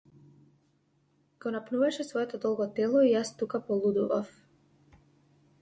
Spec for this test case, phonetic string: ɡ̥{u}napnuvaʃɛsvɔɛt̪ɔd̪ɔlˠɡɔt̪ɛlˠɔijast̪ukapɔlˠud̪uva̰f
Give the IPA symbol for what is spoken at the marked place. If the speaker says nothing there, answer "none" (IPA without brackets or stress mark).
ɔ